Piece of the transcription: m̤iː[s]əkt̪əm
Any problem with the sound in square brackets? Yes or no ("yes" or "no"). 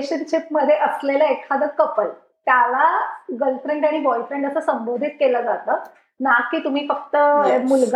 yes